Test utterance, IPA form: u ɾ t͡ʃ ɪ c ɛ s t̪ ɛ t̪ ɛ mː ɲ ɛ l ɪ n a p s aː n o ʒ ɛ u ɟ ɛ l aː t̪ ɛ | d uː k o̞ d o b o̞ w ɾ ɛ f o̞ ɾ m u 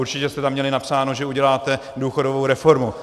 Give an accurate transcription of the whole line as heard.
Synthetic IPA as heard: u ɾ t͡ʃ ɪ c ɛ s t̪ ɛ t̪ a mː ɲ ɛ l ɪ n a p s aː n o ʒ ɛ u ɟ ɛ l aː t̪ ɛ | d uː x o̞ d o v o̞ w ɾ ɛ f o̞ ɾ m u